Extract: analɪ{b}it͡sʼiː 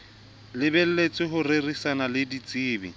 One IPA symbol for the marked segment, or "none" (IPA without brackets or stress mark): d